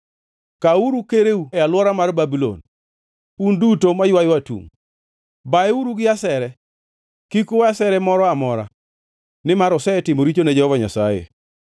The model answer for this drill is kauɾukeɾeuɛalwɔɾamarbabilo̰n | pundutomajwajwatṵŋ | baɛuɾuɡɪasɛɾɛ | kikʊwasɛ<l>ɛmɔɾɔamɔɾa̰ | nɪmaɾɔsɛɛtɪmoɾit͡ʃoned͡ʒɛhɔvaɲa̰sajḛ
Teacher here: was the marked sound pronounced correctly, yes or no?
no